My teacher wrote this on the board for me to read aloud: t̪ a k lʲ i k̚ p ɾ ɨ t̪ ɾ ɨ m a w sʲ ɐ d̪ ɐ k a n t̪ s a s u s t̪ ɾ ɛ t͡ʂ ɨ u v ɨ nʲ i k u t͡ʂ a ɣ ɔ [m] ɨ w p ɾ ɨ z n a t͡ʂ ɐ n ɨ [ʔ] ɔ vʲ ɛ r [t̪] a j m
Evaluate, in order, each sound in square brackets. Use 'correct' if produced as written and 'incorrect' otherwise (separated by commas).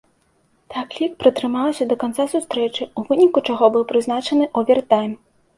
incorrect, correct, correct